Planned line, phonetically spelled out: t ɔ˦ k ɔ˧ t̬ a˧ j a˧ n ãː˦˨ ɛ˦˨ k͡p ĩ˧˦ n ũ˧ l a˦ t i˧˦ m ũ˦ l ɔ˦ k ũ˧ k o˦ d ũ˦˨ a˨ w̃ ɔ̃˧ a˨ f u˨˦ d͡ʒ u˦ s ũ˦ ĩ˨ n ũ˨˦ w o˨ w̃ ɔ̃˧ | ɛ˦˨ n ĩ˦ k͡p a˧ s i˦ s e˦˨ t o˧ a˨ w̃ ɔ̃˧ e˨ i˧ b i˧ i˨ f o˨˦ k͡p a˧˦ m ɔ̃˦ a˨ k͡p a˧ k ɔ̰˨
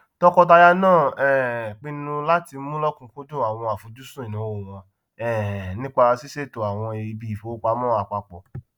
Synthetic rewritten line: t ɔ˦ k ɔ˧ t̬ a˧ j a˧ n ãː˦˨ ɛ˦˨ k͡p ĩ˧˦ n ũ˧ l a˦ t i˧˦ m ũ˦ l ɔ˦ k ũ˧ k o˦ d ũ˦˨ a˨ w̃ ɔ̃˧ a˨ f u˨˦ d͡ʒ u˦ s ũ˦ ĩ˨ n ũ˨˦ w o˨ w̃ ɔ̃˧ | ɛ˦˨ n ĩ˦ k͡p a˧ s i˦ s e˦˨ t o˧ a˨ w̃ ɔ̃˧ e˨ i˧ b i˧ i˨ f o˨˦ k͡p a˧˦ m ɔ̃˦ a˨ k͡p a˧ k͡p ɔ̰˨